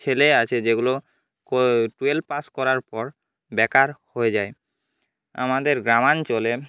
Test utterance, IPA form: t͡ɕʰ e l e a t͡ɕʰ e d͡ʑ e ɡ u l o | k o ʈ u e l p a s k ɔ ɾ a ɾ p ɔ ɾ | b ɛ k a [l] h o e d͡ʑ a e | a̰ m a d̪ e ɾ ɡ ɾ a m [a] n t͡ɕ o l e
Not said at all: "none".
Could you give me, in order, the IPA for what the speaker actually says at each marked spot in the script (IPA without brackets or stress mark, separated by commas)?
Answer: ɾ, a